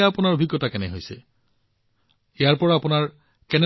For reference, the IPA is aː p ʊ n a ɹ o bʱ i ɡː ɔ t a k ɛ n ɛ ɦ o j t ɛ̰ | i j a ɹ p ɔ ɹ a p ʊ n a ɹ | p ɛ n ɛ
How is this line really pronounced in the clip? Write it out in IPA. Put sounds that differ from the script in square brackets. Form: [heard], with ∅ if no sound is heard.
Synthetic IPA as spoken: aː p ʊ n a ɹ o bʱ i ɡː ɔ t a k ɛ n ɛ ɦ o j [s] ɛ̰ | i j a ɹ p ɔ ɹ a p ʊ n a ɹ | [k] ɛ n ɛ